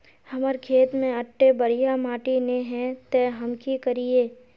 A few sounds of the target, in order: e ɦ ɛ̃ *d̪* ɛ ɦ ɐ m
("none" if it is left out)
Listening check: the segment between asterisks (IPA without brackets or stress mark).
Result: t̪